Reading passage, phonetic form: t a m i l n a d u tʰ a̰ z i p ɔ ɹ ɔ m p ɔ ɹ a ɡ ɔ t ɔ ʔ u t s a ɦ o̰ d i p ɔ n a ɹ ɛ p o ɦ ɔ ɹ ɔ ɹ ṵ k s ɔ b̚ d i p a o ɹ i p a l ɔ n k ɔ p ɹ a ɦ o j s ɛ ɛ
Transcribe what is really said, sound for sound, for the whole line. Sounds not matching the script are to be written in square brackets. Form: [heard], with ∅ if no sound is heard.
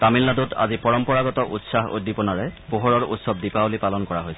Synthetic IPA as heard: t a m i l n a d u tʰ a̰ z i p ɔ ɹ ɔ m p ɔ ɹ a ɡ ɔ t ɔ ʔ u t s a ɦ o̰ d i p ɔ n a ɹ ɛ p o ɦ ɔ ɹ ɔ ɹ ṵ [t] s ɔ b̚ d i p a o [l] i p a l ɔ n k ɔ [∅] ɹ a ɦ o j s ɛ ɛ